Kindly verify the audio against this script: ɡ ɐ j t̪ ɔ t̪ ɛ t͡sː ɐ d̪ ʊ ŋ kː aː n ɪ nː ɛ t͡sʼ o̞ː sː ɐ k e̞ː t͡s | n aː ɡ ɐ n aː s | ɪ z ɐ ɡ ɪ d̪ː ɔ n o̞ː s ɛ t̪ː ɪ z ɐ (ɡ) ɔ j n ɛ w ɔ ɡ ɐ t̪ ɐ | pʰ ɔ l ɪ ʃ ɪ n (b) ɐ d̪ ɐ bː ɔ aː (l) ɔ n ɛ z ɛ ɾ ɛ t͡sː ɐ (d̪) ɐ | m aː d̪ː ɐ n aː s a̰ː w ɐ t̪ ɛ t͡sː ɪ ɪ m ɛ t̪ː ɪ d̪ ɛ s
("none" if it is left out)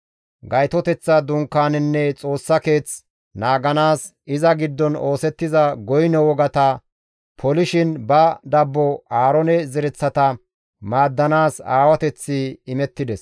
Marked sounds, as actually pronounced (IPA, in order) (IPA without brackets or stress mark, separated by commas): ɡ, b, ɾ, t̪